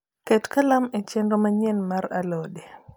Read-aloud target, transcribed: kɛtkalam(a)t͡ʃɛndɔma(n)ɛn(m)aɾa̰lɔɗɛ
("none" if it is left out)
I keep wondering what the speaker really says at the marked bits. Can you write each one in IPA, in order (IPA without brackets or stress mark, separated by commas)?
ɛ, ɲ, m